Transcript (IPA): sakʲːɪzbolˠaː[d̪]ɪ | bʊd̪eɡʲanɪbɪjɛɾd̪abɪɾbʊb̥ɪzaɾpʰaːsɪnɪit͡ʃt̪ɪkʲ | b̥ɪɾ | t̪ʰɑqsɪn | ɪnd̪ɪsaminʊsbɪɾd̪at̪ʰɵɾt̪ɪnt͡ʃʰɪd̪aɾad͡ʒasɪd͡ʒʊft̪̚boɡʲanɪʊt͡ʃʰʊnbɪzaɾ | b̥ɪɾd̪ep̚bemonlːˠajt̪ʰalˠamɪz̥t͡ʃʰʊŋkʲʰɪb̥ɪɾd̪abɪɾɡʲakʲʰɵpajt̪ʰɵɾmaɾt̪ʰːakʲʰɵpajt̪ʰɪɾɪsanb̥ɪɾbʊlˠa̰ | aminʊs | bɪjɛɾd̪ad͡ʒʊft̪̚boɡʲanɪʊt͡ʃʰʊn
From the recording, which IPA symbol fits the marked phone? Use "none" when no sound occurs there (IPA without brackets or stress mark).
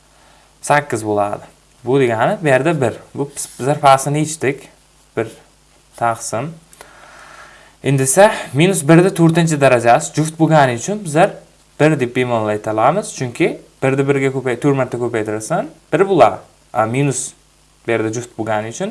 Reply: d̪